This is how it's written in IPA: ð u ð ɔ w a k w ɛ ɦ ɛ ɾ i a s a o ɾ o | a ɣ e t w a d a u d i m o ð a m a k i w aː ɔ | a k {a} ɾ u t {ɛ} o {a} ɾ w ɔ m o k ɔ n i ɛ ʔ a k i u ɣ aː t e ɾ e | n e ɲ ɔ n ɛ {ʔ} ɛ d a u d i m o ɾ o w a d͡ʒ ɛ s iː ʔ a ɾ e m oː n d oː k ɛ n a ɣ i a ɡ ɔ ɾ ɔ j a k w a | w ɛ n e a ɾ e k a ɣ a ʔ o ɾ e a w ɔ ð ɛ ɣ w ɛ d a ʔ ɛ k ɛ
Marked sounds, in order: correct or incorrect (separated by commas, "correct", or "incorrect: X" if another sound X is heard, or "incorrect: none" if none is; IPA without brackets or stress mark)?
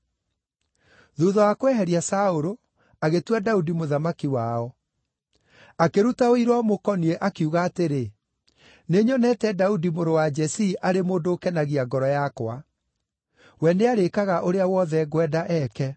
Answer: incorrect: e, incorrect: a, incorrect: i, incorrect: t